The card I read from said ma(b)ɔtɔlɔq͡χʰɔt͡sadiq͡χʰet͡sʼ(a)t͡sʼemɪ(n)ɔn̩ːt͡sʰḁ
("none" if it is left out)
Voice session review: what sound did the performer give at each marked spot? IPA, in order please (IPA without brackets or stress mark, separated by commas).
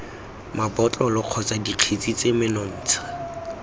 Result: b, i, n